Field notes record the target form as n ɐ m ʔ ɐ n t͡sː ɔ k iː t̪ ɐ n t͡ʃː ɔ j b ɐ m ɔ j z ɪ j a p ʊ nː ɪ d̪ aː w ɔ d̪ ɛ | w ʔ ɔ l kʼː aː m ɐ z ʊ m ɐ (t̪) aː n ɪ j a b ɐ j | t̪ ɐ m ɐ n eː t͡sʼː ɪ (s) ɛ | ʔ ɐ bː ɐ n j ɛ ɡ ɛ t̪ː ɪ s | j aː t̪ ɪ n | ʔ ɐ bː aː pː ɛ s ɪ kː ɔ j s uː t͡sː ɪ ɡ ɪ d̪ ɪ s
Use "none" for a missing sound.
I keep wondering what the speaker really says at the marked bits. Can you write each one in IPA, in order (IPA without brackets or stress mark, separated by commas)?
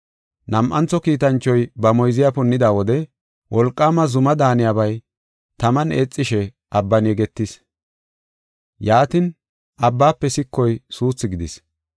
d̪, ʃ